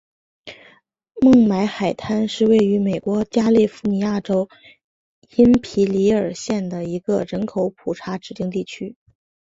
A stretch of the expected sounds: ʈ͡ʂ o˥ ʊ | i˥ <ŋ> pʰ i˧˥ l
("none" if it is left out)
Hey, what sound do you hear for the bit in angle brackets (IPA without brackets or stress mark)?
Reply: n